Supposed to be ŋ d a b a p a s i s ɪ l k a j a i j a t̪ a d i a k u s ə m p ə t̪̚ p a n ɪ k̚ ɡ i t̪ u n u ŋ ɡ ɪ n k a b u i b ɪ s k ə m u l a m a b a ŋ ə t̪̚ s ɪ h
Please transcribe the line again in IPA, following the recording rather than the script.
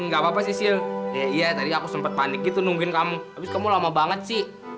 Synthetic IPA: ŋ ɡ a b a p a s i s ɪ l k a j a i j a t̪ a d i a k u s ə m p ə t̪̚ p a n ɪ k̚ ɡ i t̪ u n u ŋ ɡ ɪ n k a m u a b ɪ s k a m u l a m a b a ŋ ə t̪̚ s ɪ h